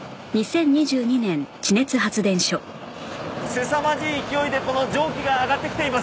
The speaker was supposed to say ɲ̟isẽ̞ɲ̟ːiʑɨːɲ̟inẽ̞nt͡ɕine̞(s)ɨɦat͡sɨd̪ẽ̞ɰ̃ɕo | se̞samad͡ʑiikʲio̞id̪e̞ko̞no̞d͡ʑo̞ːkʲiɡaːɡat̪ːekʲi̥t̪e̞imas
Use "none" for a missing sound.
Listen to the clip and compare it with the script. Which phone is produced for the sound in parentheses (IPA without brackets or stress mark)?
t͡s